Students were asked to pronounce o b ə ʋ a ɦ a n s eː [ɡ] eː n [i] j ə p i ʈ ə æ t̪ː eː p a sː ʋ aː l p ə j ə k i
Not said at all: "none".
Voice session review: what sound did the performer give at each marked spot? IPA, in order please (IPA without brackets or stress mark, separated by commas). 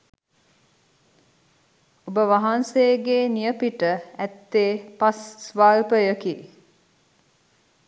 ɡ, i